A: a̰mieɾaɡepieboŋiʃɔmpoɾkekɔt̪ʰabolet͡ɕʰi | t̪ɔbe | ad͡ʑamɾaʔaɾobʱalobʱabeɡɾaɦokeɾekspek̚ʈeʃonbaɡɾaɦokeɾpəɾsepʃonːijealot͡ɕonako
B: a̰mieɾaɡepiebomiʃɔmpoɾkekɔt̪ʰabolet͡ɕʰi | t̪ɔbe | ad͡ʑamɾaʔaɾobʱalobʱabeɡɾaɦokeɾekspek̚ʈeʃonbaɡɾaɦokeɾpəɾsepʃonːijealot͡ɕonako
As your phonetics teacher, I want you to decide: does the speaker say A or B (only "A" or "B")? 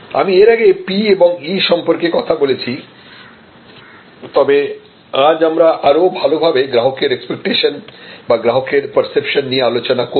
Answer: A